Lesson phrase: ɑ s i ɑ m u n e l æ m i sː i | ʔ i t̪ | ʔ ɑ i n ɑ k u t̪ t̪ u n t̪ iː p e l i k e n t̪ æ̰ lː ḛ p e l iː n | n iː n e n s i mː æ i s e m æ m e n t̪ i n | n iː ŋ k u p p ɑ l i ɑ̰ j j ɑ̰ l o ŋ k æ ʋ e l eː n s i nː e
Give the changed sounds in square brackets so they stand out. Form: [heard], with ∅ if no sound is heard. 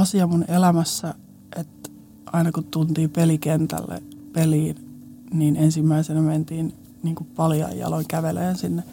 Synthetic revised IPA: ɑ s i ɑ m u n e l æ m [æ] sː [æ] | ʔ [e] t̪ | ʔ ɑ i n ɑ k u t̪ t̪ u n t̪ iː p e l i k e n t̪ æ̰ lː ḛ p e l iː n | n iː n e n s i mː æ i s e [n] æ m e n t̪ [iː] n | n iː ŋ k u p p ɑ l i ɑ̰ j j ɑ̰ l o ŋ k æ ʋ e l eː n s i nː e